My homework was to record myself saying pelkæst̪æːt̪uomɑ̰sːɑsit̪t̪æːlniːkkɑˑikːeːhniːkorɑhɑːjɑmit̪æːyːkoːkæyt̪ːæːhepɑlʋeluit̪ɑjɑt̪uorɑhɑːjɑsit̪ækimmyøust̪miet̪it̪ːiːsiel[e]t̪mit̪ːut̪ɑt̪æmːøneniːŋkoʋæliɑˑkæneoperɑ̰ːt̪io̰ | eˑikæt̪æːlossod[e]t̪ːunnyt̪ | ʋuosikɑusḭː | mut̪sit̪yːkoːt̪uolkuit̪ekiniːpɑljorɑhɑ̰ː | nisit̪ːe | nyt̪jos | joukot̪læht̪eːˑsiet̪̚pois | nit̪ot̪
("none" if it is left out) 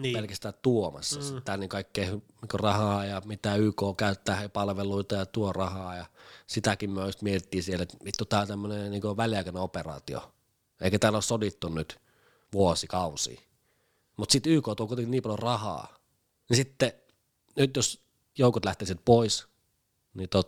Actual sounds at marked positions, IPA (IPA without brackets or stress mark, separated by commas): e, i